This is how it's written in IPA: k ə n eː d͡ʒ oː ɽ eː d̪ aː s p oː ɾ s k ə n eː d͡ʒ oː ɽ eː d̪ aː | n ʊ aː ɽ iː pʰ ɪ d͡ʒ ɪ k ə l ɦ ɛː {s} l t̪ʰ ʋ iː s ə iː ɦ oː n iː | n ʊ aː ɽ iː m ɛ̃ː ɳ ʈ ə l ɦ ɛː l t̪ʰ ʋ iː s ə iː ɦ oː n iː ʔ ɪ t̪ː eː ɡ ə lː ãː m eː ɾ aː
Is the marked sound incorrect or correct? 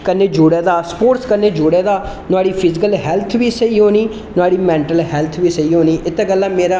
incorrect